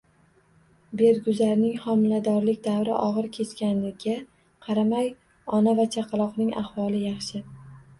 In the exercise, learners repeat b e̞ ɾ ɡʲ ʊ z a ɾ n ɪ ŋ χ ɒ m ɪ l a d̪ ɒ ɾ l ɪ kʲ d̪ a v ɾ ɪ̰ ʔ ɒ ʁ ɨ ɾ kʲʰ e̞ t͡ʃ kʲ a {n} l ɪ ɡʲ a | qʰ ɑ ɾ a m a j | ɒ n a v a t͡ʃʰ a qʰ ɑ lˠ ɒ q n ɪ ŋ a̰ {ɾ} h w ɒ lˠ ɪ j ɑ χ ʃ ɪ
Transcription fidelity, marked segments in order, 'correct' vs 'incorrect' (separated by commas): correct, incorrect